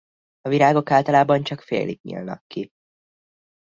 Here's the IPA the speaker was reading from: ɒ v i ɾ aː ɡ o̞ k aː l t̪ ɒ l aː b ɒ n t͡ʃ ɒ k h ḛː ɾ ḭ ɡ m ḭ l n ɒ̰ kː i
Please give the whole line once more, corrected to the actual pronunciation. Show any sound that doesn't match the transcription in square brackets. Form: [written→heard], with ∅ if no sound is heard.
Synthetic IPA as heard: ɒ v i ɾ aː ɡ o̞ k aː l t̪ ɒ l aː b ɒ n t͡ʃ ɒ k [h→f] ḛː [ɾ→l] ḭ ɡ [m→ɲ] ḭ l n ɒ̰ kː i